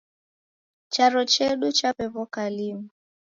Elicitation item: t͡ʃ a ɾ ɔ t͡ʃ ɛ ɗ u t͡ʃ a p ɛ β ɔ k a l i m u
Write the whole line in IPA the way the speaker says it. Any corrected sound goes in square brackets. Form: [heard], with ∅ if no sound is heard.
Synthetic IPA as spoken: t͡ʃ a ɾ ɔ t͡ʃ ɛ ɗ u t͡ʃ a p ɛ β ɔ k a l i m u